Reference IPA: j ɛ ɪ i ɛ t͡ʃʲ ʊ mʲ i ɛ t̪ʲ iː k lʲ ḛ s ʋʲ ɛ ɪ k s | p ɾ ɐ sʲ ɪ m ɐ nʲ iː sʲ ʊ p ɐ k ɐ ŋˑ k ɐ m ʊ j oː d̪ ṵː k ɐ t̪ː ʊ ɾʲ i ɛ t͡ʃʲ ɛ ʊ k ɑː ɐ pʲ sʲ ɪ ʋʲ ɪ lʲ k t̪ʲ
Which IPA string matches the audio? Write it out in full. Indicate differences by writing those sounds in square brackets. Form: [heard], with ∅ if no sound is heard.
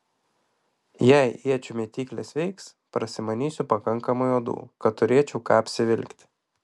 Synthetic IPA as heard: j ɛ ɪ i ɛ t͡ʃʲ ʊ mʲ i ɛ t̪ʲ iː k lʲ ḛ s ʋʲ ɛ ɪ k s | p ɾ ɐ sʲ ɪ m ɐ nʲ iː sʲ ʊ p ɐ k ɐ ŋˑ k ɐ m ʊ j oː d̪ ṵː k ɐ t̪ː ʊ ɾʲ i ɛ t͡ʃʲ ɛ ʊ k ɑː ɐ pʲ sʲ ɪ ʋʲ ɪ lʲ k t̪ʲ